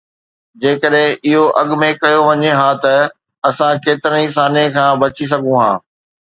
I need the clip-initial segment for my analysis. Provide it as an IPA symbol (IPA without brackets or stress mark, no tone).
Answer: d͡ʑ